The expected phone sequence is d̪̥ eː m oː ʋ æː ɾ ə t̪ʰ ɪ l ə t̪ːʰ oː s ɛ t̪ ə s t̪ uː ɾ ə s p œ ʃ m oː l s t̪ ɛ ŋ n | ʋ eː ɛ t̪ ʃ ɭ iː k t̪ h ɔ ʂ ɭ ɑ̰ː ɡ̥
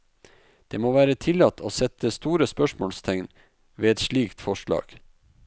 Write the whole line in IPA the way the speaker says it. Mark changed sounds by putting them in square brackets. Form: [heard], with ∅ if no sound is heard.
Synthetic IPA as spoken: d̪̥ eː m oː ʋ æː ɾ ə t̪ʰ ɪ l [ɑ] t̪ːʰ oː s ɛ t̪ ə s t̪ uː ɾ ə s p œ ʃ m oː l s [t̪ʰ] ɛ ŋ n | ʋ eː ɛ t̪ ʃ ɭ iː k t̪ [f] ɔ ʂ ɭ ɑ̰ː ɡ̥